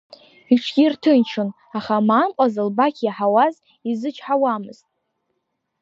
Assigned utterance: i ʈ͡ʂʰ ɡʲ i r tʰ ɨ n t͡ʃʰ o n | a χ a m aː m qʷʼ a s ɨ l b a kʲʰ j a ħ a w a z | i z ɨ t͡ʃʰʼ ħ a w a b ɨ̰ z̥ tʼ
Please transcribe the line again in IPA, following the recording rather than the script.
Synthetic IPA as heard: i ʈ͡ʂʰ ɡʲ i r tʰ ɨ n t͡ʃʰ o n | a χ a m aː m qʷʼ a z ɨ l b a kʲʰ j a ħ a w a z | i z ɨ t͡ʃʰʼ ħ a w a m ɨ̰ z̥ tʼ